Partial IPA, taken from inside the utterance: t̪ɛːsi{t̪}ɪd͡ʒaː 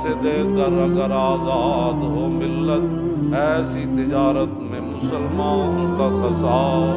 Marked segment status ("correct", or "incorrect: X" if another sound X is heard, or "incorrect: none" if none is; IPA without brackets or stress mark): correct